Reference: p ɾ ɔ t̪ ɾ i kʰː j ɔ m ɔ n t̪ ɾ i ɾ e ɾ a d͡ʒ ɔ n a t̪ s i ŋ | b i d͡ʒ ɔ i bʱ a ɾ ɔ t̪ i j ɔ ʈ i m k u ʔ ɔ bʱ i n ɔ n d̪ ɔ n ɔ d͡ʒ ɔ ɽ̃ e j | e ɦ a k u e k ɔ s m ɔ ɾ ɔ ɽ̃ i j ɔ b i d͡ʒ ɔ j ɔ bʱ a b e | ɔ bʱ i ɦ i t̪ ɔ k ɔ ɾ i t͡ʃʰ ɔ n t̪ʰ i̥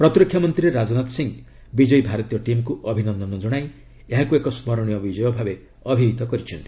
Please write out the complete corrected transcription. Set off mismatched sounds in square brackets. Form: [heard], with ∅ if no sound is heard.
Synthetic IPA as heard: p ɾ ɔ t̪ ɾ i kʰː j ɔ m ɔ n t̪ ɾ i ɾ e ɾ a d͡ʒ ɔ n a t̪ s i ŋ | b i d͡ʒ ɔ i bʱ a ɾ ɔ t̪ i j ɔ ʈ i m k u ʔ ɔ bʱ i n ɔ n d̪ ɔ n ɔ d͡ʒ ɔ ɽ̃ [a] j | e ɦ a k u e k ɔ s m ɔ ɾ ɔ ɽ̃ i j ɔ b i d͡ʒ ɔ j ɔ bʱ a b e | ɔ bʱ i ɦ i t̪ ɔ k ɔ ɾ i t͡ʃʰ ɔ n [t̪] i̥